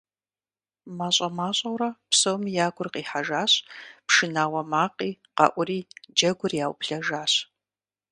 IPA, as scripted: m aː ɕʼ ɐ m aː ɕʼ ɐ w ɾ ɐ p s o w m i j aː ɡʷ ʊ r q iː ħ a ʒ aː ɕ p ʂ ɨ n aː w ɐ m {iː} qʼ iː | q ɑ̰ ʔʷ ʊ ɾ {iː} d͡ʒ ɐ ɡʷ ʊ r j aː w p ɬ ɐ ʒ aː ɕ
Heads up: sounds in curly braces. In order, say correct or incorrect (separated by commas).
incorrect, correct